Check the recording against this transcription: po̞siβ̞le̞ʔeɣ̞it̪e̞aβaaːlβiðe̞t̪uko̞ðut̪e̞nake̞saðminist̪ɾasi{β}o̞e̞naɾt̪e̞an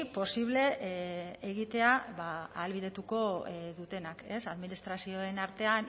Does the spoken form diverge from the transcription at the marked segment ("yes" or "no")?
yes